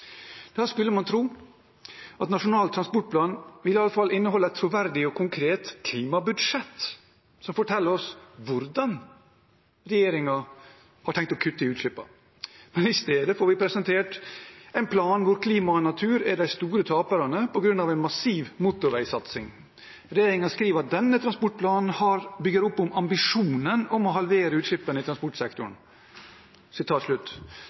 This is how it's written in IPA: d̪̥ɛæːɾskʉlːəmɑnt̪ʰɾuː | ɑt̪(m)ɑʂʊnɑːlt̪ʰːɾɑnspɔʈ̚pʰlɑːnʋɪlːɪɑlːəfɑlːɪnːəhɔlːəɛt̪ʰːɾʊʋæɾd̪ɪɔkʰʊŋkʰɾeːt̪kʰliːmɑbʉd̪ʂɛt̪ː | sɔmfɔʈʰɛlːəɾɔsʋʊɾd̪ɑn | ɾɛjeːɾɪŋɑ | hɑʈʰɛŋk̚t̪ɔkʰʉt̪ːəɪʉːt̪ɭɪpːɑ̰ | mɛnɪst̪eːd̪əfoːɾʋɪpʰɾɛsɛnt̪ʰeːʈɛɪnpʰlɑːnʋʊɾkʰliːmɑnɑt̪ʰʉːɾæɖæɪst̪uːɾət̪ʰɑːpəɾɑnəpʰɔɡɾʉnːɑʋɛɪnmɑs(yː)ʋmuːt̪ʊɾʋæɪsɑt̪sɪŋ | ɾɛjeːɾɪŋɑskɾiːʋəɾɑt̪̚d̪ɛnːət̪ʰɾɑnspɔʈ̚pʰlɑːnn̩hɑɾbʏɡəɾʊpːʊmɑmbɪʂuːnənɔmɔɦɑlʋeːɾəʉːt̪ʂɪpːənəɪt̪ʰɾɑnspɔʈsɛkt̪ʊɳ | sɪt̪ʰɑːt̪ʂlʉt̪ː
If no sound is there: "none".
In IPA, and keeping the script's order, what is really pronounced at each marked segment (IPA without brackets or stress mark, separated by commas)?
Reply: n, iː